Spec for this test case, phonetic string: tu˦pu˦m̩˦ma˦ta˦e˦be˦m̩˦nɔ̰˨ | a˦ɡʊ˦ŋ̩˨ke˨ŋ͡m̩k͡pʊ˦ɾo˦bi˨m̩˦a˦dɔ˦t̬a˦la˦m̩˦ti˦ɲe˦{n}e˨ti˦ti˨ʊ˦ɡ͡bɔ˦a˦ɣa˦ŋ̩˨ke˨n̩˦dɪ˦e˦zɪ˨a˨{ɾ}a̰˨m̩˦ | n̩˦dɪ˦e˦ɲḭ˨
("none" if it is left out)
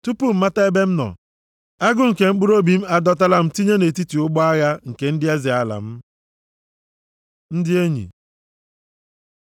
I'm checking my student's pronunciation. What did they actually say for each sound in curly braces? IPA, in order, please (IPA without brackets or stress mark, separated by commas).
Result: n, l